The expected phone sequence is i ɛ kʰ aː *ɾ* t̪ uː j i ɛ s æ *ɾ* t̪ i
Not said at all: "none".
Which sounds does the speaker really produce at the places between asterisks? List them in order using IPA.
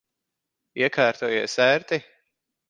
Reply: ɾ, ɾ

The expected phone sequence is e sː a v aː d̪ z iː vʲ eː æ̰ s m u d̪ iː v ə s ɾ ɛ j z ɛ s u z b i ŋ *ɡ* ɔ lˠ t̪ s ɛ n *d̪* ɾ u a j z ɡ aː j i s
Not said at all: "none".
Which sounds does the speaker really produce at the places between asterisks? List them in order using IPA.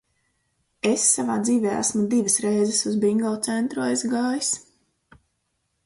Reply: ɡ, t̪

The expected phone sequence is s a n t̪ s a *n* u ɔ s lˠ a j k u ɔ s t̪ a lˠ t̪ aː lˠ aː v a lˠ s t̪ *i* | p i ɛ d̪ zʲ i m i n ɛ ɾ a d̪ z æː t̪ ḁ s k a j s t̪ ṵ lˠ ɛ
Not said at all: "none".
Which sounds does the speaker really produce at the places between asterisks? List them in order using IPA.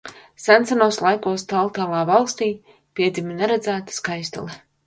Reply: n, iː

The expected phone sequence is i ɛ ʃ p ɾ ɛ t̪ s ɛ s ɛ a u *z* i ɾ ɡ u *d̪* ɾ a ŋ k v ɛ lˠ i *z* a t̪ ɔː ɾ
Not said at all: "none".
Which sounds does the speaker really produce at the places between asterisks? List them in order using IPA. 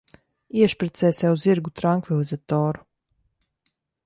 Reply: z, t̪, z

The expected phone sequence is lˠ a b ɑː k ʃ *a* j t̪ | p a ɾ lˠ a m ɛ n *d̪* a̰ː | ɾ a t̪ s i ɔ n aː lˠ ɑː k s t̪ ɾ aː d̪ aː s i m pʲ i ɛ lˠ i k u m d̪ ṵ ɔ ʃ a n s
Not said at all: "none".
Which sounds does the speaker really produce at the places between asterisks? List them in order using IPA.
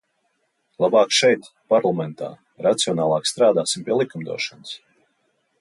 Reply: ɛ, t̪

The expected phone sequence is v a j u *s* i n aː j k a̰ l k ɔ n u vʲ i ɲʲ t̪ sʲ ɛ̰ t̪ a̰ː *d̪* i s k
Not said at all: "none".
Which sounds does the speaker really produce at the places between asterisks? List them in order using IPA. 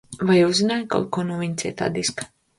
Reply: z, d̪

